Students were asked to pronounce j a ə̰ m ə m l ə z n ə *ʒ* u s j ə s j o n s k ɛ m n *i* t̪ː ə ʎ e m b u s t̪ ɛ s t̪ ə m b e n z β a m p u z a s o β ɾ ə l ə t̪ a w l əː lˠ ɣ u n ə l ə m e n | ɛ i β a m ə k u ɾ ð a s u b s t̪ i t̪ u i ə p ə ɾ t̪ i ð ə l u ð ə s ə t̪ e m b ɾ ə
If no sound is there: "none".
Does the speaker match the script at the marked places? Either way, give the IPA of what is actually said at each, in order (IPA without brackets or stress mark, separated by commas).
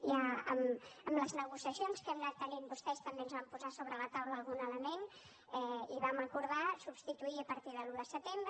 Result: ɣ, a